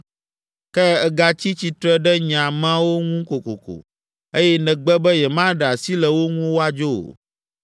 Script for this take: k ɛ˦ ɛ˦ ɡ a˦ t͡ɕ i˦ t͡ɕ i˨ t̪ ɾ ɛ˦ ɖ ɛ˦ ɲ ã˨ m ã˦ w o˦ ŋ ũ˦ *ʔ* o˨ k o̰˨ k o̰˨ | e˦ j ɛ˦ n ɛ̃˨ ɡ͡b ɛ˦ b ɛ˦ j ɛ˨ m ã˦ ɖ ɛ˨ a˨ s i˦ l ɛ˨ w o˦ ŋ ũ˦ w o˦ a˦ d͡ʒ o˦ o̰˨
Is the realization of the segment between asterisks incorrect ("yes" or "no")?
yes